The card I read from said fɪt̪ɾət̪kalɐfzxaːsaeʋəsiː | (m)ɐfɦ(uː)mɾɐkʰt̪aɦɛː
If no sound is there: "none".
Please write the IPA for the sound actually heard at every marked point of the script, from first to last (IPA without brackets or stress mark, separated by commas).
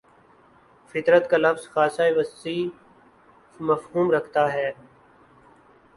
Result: m, uː